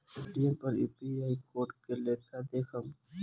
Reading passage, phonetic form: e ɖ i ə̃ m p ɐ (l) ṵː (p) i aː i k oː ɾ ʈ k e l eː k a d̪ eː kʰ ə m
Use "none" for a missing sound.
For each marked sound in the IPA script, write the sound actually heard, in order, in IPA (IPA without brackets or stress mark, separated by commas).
ɾ, p